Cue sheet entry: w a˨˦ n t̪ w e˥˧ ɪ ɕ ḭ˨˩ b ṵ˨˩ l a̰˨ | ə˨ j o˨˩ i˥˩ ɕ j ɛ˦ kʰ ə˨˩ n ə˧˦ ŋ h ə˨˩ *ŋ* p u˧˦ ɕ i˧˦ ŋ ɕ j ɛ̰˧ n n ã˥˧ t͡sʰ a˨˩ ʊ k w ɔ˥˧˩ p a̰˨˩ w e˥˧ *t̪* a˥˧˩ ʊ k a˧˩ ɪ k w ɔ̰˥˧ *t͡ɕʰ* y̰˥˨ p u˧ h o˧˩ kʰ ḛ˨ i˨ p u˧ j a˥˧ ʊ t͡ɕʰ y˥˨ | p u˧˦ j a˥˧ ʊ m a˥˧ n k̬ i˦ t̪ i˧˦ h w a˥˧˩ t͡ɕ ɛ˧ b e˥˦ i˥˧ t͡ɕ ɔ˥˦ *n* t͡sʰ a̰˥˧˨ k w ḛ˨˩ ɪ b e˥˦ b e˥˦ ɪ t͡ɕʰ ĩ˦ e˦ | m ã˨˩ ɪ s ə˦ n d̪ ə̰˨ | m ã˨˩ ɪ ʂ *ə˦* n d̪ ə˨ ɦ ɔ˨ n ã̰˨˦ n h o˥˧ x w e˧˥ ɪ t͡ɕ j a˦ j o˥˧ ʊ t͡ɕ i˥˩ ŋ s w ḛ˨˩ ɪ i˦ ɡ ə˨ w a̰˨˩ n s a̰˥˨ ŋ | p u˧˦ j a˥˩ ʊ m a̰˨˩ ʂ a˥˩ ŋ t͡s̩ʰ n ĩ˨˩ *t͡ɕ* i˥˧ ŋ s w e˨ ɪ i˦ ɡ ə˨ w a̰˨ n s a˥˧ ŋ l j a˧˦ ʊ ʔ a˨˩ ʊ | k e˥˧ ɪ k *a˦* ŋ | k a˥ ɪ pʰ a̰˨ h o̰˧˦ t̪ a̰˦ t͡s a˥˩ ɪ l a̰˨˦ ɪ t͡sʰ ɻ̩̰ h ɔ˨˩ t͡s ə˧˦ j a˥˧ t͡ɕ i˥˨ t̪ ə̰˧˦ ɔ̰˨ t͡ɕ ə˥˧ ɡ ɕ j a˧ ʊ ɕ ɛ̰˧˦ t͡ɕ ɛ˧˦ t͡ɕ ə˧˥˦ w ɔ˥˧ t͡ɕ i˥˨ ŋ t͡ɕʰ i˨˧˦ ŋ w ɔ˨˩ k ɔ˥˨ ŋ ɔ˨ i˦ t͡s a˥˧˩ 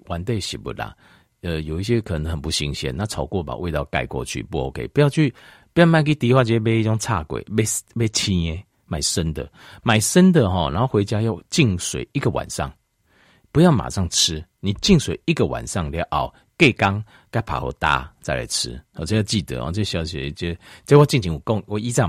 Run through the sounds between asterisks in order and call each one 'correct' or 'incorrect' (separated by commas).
incorrect, correct, correct, incorrect, correct, correct, correct